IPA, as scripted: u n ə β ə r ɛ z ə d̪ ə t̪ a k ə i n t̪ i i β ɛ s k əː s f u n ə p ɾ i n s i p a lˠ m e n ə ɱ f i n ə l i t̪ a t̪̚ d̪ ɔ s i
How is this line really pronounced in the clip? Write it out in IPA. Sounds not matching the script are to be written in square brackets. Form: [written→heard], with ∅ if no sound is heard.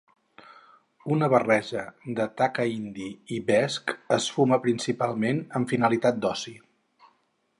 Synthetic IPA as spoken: u n ə β ə r ɛ [z→ʒ] ə d̪ ə t̪ a k ə i n [t̪→d̪] i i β ɛ s k [əː→ə] s f u [n→m] ə p ɾ i n s i p a lˠ m e n ə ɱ f i n ə l i t̪ a t̪̚ d̪ ɔ s i